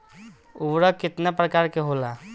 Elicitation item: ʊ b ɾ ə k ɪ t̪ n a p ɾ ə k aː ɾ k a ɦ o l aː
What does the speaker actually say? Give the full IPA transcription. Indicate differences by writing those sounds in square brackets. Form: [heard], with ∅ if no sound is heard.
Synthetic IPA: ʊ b ɾ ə k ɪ t̪ n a p ɾ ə k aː ɾ k [e] ɦ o l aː

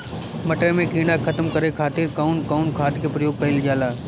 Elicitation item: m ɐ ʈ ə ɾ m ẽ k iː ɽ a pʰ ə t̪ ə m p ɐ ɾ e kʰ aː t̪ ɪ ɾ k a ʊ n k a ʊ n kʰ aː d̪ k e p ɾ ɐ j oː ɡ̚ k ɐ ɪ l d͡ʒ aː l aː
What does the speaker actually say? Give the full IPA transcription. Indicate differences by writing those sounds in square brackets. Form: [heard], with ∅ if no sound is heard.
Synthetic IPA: m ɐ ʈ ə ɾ m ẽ k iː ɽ a [kʰ] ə t̪ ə m [k] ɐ ɾ e kʰ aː t̪ ɪ ɾ k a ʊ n k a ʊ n kʰ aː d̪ k e p ɾ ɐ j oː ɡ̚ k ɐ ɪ l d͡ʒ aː l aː

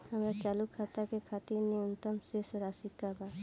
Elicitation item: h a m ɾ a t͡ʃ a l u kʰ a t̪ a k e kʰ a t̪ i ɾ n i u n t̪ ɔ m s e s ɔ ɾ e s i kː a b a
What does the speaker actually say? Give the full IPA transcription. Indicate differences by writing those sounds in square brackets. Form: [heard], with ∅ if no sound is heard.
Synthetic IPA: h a m ɾ a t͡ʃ a l u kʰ a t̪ a k e kʰ a t̪ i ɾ n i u n t̪ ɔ m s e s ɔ ɾ [a] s i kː a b a

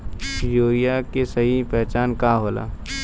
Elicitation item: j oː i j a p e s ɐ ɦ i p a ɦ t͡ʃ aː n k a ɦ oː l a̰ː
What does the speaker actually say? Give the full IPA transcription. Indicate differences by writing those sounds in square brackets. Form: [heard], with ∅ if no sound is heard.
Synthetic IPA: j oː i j a [k] e s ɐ ɦ i p [ɛ] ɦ t͡ʃ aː n k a ɦ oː l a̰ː

